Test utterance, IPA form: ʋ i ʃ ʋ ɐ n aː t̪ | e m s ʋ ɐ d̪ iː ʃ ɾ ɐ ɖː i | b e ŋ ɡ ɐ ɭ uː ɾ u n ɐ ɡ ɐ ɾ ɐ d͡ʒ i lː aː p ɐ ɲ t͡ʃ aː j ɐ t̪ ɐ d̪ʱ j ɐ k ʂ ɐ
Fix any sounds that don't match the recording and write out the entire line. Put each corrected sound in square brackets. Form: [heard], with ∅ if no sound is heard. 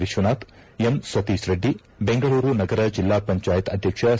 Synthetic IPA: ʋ i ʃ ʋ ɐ n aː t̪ | e m s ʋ ɐ [t̪] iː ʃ ɾ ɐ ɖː i | b e ŋ ɡ ɐ ɭ uː ɾ u n ɐ ɡ ɐ ɾ ɐ d͡ʒ i lː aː p ɐ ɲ t͡ʃ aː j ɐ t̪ ɐ d̪ʱ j ɐ k ʂ ɐ